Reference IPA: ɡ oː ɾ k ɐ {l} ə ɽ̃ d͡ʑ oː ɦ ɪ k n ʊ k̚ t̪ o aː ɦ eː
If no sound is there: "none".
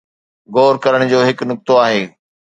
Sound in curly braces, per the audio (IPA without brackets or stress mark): ɾ